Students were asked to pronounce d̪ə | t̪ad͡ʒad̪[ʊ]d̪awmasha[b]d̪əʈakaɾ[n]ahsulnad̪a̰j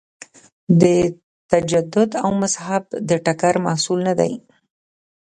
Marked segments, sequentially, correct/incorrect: correct, correct, incorrect: m

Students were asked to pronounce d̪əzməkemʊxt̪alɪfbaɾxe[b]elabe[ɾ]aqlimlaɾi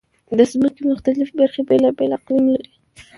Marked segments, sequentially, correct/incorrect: correct, incorrect: l

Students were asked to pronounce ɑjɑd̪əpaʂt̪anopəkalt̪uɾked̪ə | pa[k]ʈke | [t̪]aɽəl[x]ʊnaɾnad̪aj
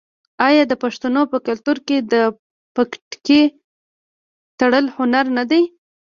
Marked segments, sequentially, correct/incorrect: correct, correct, incorrect: h

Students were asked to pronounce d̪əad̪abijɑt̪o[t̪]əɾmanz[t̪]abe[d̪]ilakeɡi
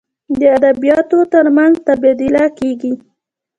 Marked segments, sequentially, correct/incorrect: correct, correct, correct

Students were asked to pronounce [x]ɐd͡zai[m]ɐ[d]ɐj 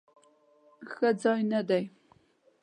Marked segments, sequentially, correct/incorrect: correct, incorrect: n, correct

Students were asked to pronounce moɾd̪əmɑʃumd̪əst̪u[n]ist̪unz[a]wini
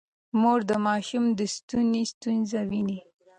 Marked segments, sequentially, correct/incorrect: correct, correct

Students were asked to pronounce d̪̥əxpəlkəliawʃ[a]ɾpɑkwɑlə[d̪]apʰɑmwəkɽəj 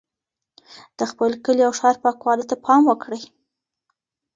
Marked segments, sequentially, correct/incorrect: incorrect: ɑ, incorrect: t̪

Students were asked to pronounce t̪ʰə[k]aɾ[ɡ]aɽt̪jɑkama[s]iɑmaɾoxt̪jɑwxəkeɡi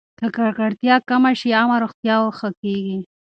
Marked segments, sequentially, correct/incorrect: correct, incorrect: k, incorrect: ʃ

